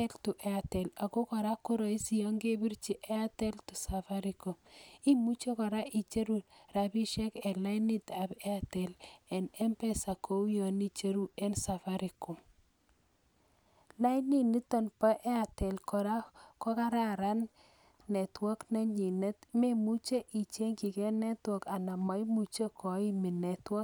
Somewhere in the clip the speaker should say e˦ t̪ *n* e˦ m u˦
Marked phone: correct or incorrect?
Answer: incorrect